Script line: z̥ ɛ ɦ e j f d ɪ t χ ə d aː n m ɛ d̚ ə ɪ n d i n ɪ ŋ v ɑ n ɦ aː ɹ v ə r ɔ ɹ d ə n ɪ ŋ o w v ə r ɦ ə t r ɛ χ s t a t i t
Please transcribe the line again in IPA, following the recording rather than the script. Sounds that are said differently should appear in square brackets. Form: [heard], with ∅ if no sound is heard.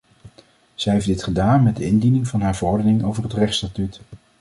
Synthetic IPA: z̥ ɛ ɦ e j f d ɪ t χ ə d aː n m ɛ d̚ ə ɪ n d i n ɪ ŋ v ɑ n ɦ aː ɹ v ə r ɔ ɹ d ə n ɪ ŋ o w v ə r ɦ ə t r ɛ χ s t a t [y] t

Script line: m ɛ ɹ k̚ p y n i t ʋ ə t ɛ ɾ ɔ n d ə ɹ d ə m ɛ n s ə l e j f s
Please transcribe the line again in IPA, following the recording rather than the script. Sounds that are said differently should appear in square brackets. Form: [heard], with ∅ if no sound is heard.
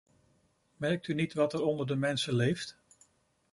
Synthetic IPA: m ɛ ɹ k̚ [t] y n i t ʋ [ɑ] t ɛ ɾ ɔ n d ə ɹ d ə m ɛ n s ə l e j f [t]

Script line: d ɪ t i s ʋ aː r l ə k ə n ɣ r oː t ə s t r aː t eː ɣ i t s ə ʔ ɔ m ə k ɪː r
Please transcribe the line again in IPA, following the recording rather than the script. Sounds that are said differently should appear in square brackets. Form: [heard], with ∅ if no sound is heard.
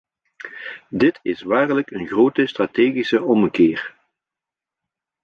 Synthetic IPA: d ɪ t [ɪ] s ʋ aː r l ə k ə n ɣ r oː t ə s t r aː t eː ɣ i [∅] s ə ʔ ɔ m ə k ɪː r

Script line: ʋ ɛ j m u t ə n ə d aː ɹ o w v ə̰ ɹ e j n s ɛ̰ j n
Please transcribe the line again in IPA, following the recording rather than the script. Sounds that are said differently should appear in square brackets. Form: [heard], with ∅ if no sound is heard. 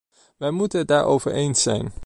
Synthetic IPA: ʋ ɛ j m u t ə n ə d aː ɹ o w v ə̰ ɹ e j n s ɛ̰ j n

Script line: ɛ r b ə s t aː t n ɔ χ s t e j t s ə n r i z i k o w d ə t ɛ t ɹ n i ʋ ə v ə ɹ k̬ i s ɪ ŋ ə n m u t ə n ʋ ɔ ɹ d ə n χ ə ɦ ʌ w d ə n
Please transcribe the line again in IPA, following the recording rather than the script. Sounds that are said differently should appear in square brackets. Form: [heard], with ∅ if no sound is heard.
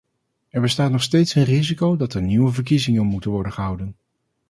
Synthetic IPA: ɛ [ɹ] b ə s t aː t n ɔ χ s t e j t s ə n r i z i k o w d [ɑ] t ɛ [∅] ɹ n i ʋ ə v ə ɹ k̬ i [z] ɪ ŋ ə n m u t ə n ʋ ɔ ɹ d ə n χ ə ɦ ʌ w d ə n

